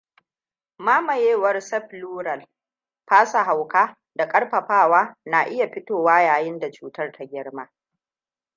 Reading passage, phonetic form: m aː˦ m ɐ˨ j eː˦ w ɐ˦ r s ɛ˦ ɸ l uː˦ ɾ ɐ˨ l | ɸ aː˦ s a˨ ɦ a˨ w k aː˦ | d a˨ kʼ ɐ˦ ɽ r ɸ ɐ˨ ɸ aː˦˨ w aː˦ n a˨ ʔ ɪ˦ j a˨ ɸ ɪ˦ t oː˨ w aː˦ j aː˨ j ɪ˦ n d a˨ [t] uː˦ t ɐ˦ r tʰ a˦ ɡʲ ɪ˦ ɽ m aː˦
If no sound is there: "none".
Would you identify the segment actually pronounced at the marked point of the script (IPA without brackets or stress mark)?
t͡ʃ